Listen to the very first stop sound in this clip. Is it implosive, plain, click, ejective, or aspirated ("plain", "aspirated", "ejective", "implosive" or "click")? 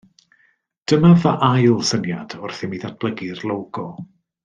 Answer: plain